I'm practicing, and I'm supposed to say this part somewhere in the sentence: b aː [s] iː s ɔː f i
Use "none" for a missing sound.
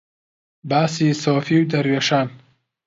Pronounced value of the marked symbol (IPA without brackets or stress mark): s